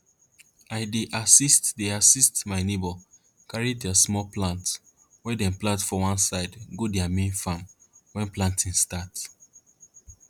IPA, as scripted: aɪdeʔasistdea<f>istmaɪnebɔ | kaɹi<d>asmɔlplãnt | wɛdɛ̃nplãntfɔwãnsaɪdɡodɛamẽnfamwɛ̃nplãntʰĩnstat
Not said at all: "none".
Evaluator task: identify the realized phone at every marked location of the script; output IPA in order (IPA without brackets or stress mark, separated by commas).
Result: s, d